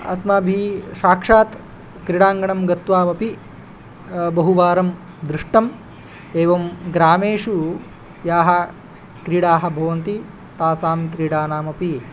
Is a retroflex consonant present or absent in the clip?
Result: present